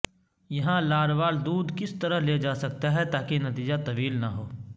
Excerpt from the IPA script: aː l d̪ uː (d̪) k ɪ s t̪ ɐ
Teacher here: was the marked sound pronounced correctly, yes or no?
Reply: yes